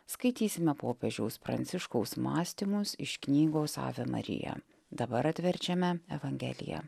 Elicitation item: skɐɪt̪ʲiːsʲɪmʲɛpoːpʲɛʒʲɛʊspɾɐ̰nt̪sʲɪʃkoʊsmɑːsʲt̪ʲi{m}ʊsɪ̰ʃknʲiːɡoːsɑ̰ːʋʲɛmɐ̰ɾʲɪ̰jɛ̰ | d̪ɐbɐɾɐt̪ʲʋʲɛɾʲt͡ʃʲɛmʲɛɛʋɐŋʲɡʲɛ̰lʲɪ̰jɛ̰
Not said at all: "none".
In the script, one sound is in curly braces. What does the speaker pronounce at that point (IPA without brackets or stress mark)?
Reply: m